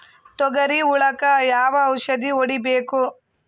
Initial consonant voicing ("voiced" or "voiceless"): voiceless